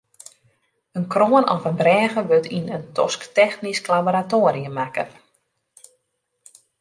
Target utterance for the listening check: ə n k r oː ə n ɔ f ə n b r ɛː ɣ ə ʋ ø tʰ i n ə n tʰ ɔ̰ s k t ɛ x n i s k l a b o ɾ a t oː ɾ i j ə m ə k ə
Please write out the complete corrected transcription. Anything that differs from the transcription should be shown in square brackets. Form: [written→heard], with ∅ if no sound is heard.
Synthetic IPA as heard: ə n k r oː ə n ɔ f ə n b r ɛː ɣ ə ʋ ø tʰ i n ə n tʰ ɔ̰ s k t ɛ x n i s k l a b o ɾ a t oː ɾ i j ə m [ə→a] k ə